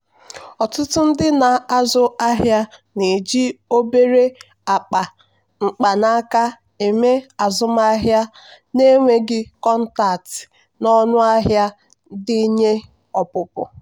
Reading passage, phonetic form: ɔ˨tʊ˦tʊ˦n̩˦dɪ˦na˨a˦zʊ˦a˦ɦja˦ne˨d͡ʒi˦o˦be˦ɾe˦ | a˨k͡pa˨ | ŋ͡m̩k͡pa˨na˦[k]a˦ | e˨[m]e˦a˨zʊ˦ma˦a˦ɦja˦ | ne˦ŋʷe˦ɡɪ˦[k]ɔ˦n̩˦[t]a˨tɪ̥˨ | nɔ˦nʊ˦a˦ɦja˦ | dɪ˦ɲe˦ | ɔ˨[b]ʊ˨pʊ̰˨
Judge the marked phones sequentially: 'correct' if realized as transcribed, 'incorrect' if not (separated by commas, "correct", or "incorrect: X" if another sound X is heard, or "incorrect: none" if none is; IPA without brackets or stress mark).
correct, correct, correct, correct, incorrect: p